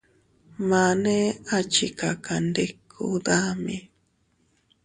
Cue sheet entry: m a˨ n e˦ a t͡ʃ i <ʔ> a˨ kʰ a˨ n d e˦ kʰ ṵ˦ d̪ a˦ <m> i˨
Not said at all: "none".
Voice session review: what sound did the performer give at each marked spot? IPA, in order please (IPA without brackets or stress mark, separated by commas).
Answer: k, m